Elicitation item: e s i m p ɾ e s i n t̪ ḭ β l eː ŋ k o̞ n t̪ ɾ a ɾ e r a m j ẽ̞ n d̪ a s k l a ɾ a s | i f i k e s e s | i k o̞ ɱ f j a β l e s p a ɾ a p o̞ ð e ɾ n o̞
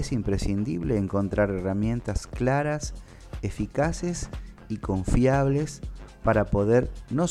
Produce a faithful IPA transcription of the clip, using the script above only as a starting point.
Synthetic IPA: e s i m p ɾ e s i n d̪ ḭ β l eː ŋ k o̞ n t̪ ɾ a ɾ e r a m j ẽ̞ n t̪ a s k l a ɾ a s | e f i k a s e s | i k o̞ ɱ f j a β l e s p a ɾ a p o̞ ð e ɾ n o̞